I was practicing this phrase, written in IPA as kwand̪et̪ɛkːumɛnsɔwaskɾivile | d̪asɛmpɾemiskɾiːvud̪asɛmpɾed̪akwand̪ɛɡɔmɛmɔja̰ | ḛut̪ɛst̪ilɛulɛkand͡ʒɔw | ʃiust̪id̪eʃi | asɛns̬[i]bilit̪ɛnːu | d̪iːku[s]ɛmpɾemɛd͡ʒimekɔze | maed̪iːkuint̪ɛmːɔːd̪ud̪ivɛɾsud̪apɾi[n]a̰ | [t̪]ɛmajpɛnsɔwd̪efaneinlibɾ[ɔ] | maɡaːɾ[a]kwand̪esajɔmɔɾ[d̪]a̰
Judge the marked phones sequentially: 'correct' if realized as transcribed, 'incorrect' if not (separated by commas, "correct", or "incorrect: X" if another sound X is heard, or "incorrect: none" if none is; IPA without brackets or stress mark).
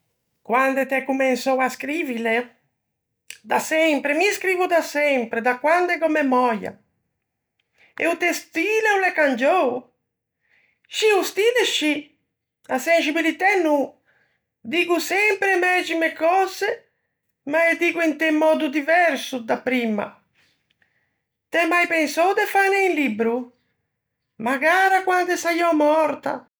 correct, correct, incorrect: m, correct, incorrect: u, correct, incorrect: t̪